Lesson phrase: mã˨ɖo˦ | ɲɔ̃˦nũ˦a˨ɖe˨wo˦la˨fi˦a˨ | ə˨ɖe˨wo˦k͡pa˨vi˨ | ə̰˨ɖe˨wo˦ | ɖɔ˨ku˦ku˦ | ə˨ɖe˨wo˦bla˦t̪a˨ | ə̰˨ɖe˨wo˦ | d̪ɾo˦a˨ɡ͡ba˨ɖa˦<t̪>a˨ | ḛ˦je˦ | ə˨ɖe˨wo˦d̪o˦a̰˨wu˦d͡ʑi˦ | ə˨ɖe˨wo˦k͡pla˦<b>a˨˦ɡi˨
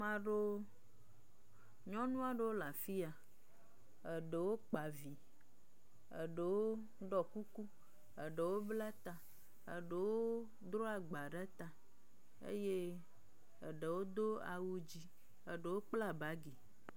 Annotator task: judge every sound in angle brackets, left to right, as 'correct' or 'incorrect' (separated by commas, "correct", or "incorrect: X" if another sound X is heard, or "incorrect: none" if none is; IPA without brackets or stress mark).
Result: correct, correct